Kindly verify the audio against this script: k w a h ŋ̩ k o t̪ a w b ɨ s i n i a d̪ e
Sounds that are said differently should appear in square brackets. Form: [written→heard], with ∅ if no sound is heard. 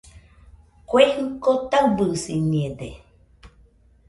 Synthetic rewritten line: k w [a→e] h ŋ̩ k o t̪ a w b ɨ s i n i [a→e] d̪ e